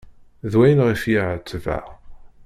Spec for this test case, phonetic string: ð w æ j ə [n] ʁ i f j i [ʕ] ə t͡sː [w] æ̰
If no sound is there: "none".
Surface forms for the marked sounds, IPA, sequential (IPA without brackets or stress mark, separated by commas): n, ʕ, v